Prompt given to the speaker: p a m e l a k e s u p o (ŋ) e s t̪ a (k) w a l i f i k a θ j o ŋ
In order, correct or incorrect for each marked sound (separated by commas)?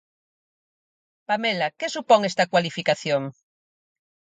correct, correct